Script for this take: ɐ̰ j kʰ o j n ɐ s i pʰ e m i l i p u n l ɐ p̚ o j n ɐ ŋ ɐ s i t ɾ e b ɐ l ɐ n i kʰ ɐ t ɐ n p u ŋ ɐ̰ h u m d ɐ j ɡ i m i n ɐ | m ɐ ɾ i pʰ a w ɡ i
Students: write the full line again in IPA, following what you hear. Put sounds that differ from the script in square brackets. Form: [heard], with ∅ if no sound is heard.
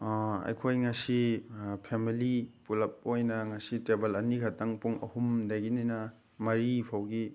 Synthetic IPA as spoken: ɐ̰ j kʰ o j [ŋ] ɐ s i pʰ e m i l i p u [∅] l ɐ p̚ o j n ɐ ŋ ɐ s i t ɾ e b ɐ l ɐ n i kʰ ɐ t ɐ [ŋ] p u ŋ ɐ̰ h u m d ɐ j ɡ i [n] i n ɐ | m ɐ ɾ i pʰ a w ɡ i